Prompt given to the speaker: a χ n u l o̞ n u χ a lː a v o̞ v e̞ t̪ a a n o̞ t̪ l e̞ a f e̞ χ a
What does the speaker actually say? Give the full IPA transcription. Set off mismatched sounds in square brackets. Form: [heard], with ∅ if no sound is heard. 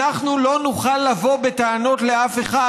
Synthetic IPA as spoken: a χ n u l o̞ n u χ a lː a v o̞ [b] e̞ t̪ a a n o̞ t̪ l e̞ a f e̞ χ a